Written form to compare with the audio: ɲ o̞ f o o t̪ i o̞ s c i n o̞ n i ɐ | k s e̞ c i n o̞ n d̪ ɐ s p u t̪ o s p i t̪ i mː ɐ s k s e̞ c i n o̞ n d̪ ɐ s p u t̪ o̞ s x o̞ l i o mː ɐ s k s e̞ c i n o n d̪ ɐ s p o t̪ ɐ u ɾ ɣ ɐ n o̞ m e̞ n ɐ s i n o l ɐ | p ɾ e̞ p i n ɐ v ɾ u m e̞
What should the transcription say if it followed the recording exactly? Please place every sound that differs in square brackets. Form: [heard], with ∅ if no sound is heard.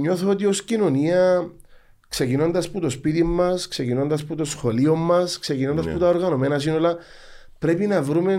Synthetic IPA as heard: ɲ o̞ [θ] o o t̪ i o̞ s c i n o̞ n i ɐ | k s e̞ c i n o̞ n d̪ ɐ s p u t̪ o s p i t̪ i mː ɐ s k s e̞ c i n o̞ n d̪ ɐ s p u t̪ o̞ s x o̞ l i o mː ɐ s k s e̞ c i n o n d̪ ɐ s p [u] t̪ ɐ [o] ɾ ɣ ɐ n o̞ m e̞ n ɐ s i n o l ɐ | p ɾ e̞ p i n ɐ v ɾ u m e̞